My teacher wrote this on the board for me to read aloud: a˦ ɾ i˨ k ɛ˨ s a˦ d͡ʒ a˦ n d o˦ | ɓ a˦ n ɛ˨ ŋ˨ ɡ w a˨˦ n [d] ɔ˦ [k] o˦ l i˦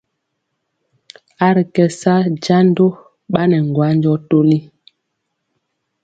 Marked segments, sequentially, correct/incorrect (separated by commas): incorrect, incorrect